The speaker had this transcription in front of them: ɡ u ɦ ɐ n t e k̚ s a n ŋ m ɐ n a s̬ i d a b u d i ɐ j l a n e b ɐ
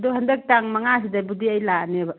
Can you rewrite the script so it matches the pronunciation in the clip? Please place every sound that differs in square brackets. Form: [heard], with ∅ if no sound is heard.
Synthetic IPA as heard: [d] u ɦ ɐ n [d] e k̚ [t] a [∅] ŋ m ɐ [ŋ] a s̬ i d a b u d i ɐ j l a n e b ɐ